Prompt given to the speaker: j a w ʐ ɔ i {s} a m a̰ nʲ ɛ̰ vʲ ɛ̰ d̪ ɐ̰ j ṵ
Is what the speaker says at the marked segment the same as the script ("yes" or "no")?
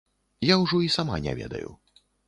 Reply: yes